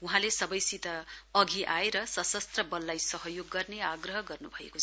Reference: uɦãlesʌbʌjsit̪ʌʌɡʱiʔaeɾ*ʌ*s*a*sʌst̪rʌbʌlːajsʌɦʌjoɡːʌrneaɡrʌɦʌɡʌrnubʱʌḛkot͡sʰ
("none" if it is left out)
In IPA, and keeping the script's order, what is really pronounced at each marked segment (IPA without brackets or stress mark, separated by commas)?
ʌ, ʌ